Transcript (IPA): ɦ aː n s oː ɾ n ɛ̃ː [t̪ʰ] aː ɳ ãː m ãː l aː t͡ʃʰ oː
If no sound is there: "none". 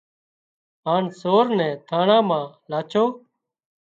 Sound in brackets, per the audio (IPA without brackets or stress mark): t̪ʰ